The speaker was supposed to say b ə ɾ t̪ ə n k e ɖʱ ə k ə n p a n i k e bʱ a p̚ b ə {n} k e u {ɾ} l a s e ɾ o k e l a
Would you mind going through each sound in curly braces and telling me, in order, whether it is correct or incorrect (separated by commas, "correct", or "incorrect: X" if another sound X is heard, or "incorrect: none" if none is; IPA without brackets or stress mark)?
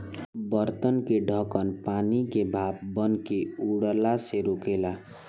correct, incorrect: ɽ